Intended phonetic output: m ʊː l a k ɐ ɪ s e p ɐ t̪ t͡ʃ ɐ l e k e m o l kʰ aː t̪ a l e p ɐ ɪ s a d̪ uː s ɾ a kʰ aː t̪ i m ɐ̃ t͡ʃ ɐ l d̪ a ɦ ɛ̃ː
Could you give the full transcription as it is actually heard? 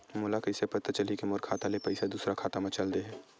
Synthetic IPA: m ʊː l a k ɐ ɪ s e p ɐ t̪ t͡ʃ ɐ l i k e m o ɾ kʰ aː t̪ a l e p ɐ ɪ s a d̪ uː s ɾ a kʰ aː t̪ a m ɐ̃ t͡ʃ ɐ l d̪ e ɦ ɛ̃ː

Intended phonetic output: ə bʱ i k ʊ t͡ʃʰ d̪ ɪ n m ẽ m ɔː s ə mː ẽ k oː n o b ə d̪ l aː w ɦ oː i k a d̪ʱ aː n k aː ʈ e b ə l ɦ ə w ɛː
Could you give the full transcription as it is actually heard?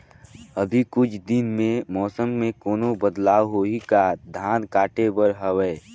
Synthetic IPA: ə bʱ i k ʊ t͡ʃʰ d̪ ɪ n m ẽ m ɔː s ə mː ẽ k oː n o b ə d̪ l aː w ɦ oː i k a d̪ʱ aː n k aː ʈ e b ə ɾ ɦ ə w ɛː

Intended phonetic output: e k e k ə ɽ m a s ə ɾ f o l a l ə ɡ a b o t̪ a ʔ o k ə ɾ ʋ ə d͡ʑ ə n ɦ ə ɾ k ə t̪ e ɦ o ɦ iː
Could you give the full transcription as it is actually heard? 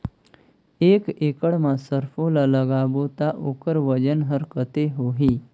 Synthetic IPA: e k e k ə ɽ m a s ə ɾ f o l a l ə ɡ a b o t̪ a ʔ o k ə ɾ ʋ ə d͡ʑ ə n ɦ ə ɾ k ə t̪ e ɦ o ɦ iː

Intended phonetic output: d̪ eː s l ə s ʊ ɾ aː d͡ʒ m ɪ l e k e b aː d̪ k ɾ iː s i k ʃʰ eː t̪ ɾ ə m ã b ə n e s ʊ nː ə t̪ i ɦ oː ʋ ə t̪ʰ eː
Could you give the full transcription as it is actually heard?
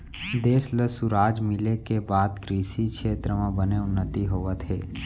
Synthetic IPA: d̪ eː s l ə s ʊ ɾ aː d͡ʒ m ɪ l e k e b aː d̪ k ɾ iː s i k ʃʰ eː t̪ ɾ ə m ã b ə n e ʊ nː ə t̪ i ɦ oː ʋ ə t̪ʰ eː

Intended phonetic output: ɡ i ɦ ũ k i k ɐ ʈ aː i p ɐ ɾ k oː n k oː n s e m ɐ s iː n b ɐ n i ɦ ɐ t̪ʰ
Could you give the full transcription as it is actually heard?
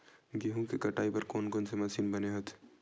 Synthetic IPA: ɡ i ɦ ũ k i k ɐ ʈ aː i p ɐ ɾ k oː n k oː n s e m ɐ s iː n b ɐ n e ɦ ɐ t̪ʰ

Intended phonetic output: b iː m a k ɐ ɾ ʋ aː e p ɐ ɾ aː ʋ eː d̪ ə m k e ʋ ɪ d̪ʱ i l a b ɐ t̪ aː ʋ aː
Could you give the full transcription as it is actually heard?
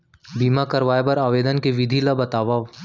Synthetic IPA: b iː m a k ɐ ɾ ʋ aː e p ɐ ɾ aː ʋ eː d̪ ə n k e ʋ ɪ d̪ʱ i l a b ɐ t̪ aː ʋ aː

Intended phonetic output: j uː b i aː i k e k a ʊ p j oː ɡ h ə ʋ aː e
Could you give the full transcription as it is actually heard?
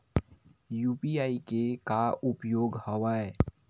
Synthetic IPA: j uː p i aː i k e k a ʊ p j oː ɡ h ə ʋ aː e

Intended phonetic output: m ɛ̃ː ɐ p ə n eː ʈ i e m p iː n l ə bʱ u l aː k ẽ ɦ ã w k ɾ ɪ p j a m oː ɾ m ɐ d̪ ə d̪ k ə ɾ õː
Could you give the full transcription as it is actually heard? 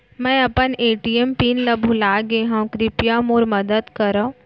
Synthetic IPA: m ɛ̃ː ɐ p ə n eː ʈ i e m p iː n l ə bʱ u l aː ɡ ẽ ɦ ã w k ɾ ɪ p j a m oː ɾ m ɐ d̪ ə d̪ k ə ɾ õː

